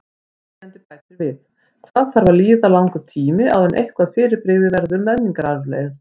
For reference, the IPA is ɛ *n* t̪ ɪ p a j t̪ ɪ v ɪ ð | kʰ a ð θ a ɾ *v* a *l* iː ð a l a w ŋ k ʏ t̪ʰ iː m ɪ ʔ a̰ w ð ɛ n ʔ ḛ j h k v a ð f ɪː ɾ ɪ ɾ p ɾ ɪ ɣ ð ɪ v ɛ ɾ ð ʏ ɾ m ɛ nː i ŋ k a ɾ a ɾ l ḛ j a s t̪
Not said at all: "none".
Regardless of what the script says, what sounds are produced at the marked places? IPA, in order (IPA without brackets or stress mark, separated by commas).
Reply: n, v, l